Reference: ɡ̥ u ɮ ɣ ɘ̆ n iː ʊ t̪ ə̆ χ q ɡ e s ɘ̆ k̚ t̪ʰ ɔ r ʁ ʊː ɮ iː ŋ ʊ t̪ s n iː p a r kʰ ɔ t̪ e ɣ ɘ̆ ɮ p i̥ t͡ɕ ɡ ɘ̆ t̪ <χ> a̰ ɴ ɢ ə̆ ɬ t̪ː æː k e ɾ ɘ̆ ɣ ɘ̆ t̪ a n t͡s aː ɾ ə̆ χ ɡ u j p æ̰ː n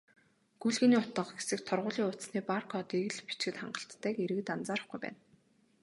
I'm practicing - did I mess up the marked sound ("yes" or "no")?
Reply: no